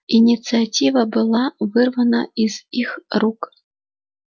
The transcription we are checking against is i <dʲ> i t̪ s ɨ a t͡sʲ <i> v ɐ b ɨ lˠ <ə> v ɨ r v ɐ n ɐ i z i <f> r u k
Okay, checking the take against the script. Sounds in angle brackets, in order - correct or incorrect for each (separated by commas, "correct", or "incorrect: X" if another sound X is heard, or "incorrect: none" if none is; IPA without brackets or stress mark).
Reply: incorrect: nʲ, correct, incorrect: a, incorrect: x